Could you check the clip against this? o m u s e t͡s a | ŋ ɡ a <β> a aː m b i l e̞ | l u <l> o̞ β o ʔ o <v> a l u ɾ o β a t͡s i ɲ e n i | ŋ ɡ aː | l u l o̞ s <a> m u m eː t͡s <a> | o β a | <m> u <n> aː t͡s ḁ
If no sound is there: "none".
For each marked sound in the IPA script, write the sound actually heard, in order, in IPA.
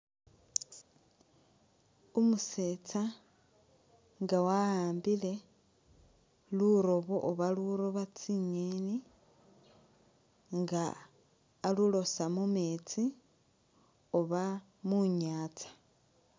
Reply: w, ɾ, β, a, i, m, ɲ

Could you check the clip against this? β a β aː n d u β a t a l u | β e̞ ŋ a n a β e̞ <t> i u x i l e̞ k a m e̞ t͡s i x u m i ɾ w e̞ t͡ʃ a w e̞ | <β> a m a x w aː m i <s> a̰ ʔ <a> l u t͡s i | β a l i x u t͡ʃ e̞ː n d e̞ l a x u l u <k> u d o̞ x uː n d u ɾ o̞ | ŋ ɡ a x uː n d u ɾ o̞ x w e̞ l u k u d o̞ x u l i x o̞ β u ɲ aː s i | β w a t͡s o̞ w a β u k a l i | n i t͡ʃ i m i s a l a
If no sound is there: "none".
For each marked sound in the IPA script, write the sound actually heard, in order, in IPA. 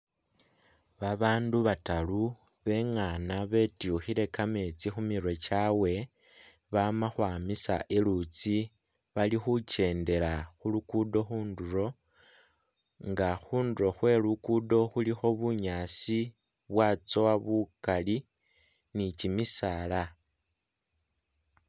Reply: t, β, s, e, k

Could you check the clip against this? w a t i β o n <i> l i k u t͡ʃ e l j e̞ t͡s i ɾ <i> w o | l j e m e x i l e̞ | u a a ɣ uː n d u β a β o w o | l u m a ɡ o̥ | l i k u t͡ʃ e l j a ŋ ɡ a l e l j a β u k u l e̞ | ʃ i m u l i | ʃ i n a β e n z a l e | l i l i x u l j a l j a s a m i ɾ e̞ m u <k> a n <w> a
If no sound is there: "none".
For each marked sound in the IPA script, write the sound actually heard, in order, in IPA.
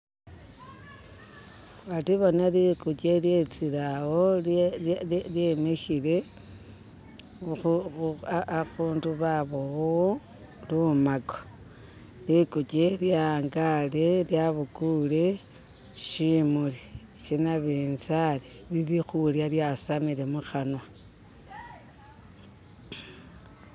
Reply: a, a, x, w

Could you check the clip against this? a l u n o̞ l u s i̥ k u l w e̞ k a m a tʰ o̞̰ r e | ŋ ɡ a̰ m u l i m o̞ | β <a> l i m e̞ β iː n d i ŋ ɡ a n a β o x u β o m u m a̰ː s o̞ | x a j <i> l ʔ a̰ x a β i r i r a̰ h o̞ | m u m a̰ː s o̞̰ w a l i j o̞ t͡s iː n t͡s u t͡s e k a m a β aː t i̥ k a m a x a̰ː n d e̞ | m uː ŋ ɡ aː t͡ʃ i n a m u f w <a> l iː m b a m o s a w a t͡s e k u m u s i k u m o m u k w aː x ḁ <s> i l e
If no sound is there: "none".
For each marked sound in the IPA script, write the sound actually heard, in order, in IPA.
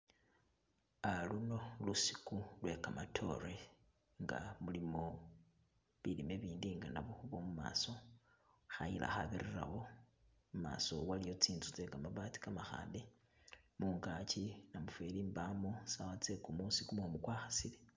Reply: i, i, e, s

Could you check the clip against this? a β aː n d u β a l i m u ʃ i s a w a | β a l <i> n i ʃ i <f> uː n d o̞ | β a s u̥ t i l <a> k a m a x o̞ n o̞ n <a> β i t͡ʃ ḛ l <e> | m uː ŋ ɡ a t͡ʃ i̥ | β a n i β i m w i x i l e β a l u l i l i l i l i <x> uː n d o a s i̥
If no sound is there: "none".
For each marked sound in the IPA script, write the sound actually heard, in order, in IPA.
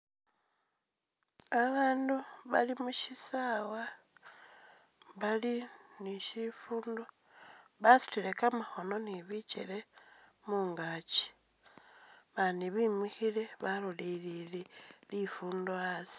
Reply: i, f, e, i, e, f

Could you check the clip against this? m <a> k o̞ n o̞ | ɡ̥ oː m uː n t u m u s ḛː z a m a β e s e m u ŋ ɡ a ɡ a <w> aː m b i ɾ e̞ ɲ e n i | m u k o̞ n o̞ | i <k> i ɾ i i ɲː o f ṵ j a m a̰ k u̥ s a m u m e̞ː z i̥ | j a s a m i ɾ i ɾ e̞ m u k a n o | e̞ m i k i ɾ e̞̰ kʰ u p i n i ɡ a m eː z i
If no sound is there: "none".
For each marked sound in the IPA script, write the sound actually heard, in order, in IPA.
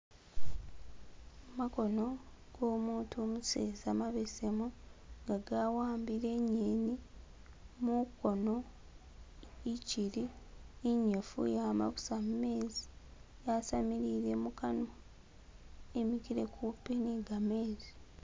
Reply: a, w, c

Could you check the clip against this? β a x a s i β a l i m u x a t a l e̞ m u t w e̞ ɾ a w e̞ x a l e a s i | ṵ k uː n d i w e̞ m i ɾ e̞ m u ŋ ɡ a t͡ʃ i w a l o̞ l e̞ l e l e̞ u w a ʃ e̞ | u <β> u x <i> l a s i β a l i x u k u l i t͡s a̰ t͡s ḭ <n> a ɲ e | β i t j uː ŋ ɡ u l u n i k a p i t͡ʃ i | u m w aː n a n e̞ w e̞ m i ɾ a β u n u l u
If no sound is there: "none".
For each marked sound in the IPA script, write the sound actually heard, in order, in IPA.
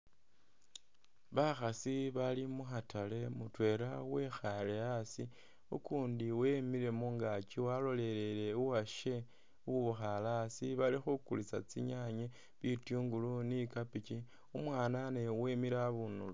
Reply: β, a, ɲ

